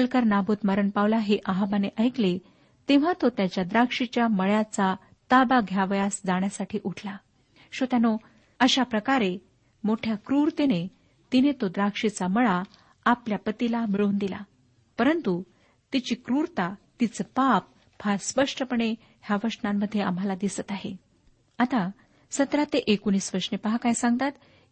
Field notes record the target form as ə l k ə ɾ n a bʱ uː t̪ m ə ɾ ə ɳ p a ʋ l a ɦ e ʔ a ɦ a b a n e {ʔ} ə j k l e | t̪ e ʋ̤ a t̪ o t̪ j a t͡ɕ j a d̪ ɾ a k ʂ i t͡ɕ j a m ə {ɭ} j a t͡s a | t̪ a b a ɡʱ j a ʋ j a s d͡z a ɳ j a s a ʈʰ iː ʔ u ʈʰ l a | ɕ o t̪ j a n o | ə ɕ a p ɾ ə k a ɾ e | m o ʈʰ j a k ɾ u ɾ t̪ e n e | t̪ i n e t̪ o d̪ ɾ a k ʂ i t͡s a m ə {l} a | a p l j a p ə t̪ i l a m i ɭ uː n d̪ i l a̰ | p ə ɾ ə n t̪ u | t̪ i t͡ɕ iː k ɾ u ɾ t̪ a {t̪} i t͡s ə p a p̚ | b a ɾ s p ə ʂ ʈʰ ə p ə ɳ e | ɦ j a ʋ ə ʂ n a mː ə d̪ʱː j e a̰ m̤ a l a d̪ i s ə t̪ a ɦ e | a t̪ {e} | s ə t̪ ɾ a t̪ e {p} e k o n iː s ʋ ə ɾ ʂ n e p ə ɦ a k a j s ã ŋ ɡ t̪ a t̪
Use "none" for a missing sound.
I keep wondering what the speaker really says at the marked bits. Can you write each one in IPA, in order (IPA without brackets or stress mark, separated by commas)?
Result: ʔ, ɭ, ɭ, t̪, a, ʔ